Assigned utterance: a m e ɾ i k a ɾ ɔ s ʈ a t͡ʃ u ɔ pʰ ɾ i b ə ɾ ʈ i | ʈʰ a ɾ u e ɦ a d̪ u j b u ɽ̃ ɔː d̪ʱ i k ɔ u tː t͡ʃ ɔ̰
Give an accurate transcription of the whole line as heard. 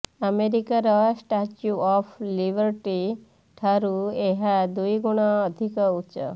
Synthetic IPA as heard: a m e ɾ i k a ɾ ɔ s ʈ a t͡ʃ u ɔ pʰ l i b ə ɾ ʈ i | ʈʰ a ɾ u e ɦ a d̪ u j ɡ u ɽ̃ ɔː d̪ʱ i k ɔ u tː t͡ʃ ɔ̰

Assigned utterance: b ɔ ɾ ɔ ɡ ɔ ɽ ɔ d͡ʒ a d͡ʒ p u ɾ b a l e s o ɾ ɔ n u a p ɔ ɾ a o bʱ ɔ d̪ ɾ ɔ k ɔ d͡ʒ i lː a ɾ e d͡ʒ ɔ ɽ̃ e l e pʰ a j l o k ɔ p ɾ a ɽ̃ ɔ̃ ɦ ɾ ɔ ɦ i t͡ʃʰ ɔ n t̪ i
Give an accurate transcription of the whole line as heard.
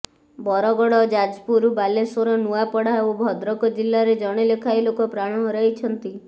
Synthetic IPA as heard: b ɔ ɾ ɔ ɡ ɔ ɽ ɔ d͡ʒ a d͡ʒ p u ɾ b a l e s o ɾ ɔ n u a p ɔ ɽ a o bʱ ɔ d̪ ɾ ɔ k ɔ d͡ʒ i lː a ɾ e d͡ʒ ɔ ɽ̃ e l e kʰ a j l o k ɔ p ɾ a ɽ̃ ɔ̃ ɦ ɾ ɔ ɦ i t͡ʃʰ ɔ n t̪ i

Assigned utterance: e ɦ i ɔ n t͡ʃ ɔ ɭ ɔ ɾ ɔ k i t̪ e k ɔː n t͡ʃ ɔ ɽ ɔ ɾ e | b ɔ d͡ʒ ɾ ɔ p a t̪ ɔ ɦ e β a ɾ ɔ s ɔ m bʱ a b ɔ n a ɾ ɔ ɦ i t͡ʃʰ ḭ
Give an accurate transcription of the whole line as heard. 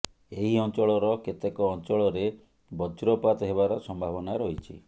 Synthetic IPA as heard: e ɦ i ɔ n t͡ʃ ɔ ɭ ɔ ɾ ɔ k e t̪ e k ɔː n t͡ʃ ɔ ɭ ɔ ɾ e | b ɔ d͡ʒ ɾ ɔ p a t̪ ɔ ɦ e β a ɾ ɔ s ɔ m bʱ a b ɔ n a ɾ ɔ ɦ i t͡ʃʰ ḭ

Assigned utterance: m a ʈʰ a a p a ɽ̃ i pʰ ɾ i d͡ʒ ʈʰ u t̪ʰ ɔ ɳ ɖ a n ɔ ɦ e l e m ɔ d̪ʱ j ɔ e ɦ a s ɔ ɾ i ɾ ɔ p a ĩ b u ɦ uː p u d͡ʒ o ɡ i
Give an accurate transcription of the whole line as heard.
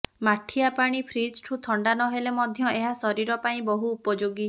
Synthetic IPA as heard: m a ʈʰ i a p a ɽ̃ i pʰ ɾ i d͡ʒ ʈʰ u t̪ʰ ɔ ɳ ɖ a n ɔ ɦ e l e m ɔ d̪ʱ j ɔ e ɦ a s ɔ ɾ i ɾ ɔ p a ĩ b ɔ ɦ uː p ɔ d͡ʒ o ɡ i

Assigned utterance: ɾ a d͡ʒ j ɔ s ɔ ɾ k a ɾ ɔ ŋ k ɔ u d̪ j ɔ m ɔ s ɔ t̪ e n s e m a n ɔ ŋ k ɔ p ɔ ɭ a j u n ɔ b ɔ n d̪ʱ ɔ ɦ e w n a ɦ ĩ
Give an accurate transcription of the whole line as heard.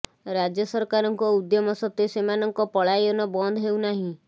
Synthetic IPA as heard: ɾ a d͡ʒ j ɔ s ɔ ɾ k a ɾ ɔ ŋ k ɔ u d̪ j ɔ m ɔ s ɔ t̪ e s e m a n ɔ ŋ k ɔ p ɔ ɭ a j ɔ n ɔ b ɔ n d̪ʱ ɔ ɦ e w n a ɦ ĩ

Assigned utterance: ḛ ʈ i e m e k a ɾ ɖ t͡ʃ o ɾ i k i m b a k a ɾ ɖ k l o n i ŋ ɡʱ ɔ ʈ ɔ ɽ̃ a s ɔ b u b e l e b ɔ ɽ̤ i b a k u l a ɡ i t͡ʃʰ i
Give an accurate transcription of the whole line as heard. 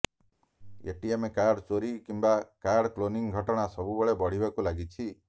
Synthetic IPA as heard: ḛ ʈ i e m e k a ɾ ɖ t͡ʃ o ɾ i k i m b a k a ɾ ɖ k l o n i ŋ ɡʱ ɔ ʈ ɔ ɽ̃ a s ɔ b u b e ɭ e b ɔ ɽ̤ i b a k u l a ɡ i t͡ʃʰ i

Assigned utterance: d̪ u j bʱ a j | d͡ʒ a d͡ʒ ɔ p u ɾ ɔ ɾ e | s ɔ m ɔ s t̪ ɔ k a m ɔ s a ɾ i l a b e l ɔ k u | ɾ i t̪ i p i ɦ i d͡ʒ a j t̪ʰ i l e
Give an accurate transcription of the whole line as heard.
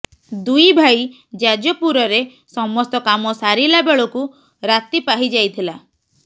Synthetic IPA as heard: d̪ u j bʱ a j | d͡ʒ a d͡ʒ ɔ p u ɾ ɔ ɾ e | s ɔ m ɔ s t̪ ɔ k a m ɔ s a ɾ i l a b e ɭ ɔ k u | ɾ a t̪ i p a ɦ i d͡ʒ a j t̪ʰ i l a

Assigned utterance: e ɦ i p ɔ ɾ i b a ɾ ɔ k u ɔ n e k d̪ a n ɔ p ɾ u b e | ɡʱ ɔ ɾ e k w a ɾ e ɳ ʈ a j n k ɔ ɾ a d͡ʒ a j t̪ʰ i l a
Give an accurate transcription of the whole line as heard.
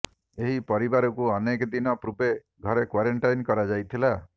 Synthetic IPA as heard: e ɦ i p ɔ ɾ i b a ɾ ɔ k u ɔ n e k d̪ i n ɔ p ɾ u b e | ɡʱ ɔ ɾ e k w a ɾ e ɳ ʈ a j n k ɔ ɾ a d͡ʒ a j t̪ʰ i l a

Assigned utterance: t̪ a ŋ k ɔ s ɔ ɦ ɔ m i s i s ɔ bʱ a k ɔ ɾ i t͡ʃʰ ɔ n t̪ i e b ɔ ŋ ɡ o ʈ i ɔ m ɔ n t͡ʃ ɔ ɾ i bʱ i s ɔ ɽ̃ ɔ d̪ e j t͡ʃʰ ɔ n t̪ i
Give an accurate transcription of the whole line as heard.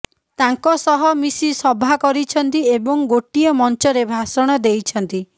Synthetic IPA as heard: t̪ a ŋ k ɔ s ɔ ɦ ɔ m i s i s ɔ bʱ a k ɔ ɾ i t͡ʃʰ ɔ n t̪ i e b ɔ ŋ ɡ o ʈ i ɔ m ɔ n t͡ʃ ɔ ɾ e bʱ a s ɔ ɽ̃ ɔ d̪ e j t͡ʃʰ ɔ n t̪ i

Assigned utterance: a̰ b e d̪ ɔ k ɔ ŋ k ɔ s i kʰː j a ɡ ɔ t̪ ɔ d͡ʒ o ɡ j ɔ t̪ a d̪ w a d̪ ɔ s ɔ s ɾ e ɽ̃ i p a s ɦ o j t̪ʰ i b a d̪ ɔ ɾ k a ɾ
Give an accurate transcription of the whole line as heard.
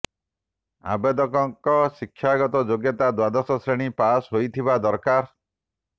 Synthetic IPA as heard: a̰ b e d̪ ɔ k ɔ ŋ k ɔ s i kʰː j a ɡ ɔ t̪ ɔ d͡ʒ o ɡ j ɔ t̪ a d̪ w a d̪ ɔ s ɔ s ɾ e ɽ̃ i p a s ɦ o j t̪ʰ i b a d̪ ɔ ɾ k a ɾ

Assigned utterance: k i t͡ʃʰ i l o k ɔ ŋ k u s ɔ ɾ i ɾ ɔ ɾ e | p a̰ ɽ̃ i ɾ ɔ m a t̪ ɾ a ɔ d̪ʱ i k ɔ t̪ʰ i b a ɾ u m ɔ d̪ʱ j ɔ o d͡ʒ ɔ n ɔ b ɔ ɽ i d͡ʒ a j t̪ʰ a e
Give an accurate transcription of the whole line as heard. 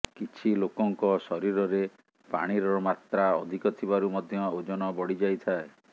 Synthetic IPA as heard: k i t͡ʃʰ i l o k ɔ ŋ k ɔ s ɔ ɾ i ɾ ɔ ɾ e | p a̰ ɽ̃ i ɾ ɔ m a t̪ ɾ a ɔ d̪ʱ i k ɔ t̪ʰ i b a ɾ u m ɔ d̪ʱ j ɔ o d͡ʒ ɔ n ɔ b ɔ ɽ i d͡ʒ a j t̪ʰ a e

